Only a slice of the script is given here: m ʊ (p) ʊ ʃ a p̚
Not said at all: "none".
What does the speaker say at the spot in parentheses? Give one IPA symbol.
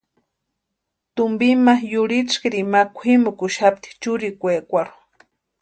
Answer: k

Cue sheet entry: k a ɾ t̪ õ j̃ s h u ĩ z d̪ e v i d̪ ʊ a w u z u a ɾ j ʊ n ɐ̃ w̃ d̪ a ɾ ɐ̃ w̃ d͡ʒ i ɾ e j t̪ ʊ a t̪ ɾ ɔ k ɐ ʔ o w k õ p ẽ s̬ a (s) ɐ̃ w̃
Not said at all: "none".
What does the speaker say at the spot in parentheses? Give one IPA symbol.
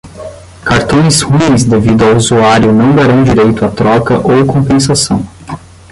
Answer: s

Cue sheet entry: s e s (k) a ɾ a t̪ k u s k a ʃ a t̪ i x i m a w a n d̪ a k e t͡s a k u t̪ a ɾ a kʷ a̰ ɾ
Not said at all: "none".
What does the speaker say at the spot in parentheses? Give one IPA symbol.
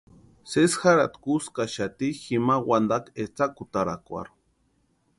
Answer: x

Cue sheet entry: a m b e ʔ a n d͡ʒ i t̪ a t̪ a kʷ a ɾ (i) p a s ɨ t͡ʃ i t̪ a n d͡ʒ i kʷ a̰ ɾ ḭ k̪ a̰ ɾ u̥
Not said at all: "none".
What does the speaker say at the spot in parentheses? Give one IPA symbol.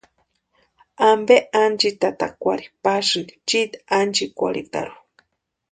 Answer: i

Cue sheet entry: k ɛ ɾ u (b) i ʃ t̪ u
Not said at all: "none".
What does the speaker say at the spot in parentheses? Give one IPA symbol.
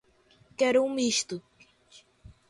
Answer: m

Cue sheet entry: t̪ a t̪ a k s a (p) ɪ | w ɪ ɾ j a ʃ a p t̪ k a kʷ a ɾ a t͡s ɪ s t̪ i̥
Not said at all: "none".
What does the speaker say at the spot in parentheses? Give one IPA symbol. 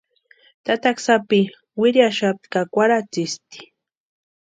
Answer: p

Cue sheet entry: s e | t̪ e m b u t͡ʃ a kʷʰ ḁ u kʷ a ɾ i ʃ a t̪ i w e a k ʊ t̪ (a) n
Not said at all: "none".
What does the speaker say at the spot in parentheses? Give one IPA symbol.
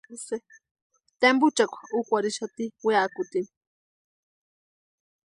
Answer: i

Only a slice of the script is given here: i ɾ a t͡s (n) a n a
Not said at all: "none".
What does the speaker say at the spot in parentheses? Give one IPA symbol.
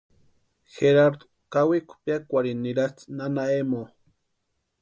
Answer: n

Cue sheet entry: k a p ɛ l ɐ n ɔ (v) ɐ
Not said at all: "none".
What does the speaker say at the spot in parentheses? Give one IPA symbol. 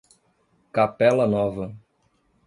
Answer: v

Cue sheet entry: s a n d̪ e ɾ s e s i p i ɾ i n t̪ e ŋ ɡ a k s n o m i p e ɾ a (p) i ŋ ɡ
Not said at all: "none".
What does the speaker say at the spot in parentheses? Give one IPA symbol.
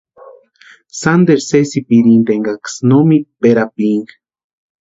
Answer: p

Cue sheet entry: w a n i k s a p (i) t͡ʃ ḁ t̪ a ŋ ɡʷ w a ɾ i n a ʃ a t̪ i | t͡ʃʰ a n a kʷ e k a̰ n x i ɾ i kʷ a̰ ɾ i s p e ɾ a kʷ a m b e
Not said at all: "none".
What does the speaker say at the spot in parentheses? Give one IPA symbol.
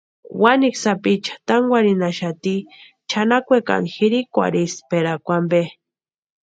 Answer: i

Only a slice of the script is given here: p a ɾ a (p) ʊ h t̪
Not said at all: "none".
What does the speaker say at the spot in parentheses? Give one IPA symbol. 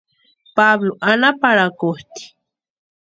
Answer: k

